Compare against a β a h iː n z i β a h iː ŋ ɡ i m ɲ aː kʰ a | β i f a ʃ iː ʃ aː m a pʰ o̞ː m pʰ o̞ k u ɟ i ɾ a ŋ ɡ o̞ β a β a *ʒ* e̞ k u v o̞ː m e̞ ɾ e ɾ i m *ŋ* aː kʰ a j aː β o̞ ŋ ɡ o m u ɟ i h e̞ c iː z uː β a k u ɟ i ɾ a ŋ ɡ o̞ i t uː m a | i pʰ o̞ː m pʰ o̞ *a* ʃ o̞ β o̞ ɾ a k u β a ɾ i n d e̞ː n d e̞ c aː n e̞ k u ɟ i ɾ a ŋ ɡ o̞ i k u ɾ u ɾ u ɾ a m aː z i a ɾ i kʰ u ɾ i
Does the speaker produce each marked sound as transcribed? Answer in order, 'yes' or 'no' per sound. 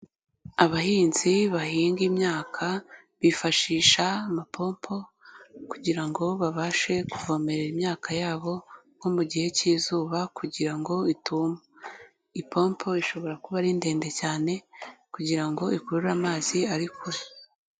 no, no, no

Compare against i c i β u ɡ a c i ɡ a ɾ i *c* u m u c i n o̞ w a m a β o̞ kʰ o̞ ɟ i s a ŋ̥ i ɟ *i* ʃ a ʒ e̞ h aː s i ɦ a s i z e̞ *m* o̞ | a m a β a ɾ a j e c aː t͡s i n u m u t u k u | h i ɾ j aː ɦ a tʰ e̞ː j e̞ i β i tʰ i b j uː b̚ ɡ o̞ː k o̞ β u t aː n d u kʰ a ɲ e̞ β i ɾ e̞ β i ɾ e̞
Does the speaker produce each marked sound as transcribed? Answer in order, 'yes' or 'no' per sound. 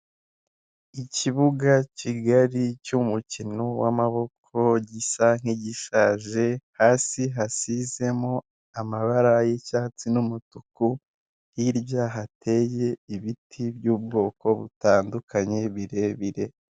yes, yes, yes

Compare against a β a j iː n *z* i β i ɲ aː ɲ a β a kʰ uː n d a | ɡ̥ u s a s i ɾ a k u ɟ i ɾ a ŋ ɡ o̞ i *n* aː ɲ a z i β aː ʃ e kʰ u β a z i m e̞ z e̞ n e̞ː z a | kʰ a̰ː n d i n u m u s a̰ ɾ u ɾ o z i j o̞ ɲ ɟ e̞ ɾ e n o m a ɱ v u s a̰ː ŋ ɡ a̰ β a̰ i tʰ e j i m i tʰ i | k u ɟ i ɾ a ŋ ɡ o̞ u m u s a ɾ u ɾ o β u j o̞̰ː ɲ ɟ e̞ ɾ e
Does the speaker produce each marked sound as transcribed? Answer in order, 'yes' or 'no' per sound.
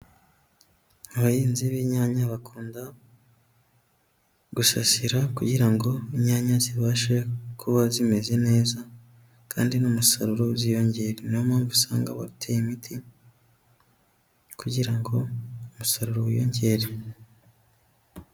yes, no

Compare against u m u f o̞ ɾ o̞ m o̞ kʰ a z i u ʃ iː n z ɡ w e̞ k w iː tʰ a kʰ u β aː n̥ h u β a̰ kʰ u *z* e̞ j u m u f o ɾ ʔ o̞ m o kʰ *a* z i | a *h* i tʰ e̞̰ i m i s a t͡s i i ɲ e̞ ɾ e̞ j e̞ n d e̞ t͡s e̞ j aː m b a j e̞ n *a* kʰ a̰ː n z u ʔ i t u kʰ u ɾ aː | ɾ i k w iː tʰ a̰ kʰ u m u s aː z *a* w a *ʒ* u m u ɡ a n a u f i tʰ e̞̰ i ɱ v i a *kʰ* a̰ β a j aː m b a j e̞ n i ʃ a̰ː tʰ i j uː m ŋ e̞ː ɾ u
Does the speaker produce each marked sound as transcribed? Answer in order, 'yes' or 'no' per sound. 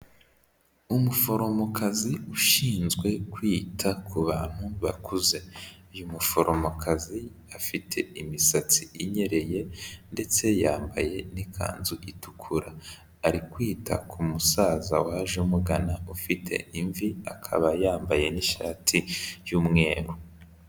yes, yes, no, no, yes, yes, yes

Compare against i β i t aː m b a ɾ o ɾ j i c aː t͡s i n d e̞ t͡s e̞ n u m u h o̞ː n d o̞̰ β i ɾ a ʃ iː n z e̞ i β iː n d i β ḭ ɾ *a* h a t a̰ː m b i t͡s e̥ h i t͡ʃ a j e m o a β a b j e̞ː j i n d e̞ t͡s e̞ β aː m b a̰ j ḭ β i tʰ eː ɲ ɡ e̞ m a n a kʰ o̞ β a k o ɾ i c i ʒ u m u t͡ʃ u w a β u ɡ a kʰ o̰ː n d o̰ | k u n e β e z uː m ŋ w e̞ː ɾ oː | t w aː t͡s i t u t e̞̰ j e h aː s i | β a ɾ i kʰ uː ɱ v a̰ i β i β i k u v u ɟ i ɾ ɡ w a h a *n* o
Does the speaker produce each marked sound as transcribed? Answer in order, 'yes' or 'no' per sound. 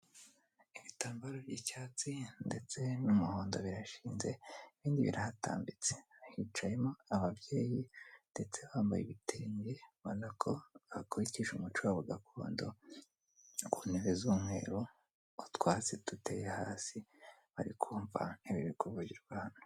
yes, yes

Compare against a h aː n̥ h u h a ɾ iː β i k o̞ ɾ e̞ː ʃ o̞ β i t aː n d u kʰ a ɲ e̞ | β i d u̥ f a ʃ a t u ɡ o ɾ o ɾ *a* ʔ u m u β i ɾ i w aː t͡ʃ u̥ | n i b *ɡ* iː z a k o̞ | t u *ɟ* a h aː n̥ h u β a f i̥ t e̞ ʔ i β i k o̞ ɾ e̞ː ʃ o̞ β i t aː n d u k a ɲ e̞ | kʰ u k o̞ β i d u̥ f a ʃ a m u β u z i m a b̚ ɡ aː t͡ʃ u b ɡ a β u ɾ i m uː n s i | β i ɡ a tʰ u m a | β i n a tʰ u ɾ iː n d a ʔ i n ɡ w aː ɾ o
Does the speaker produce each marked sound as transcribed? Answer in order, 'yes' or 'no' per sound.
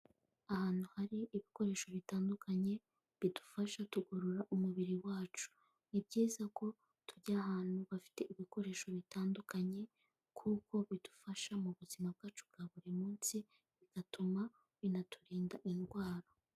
yes, no, yes

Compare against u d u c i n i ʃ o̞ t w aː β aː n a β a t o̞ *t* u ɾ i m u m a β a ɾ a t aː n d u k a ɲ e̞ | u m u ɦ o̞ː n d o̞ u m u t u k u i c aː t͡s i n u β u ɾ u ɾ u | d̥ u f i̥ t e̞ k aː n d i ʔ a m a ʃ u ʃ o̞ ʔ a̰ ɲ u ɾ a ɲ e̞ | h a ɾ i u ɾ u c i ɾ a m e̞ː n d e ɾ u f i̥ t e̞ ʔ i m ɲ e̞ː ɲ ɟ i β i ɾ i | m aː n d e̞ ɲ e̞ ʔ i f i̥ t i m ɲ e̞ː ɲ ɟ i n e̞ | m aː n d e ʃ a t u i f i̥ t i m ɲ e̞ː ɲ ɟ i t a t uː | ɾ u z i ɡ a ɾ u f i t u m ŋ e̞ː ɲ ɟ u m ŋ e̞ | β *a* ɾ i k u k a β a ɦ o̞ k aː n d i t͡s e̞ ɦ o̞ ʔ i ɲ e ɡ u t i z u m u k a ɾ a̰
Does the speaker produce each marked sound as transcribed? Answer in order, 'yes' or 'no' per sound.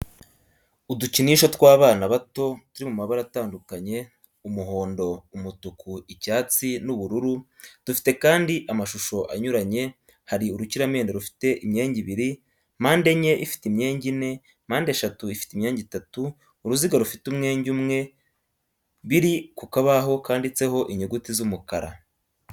yes, no

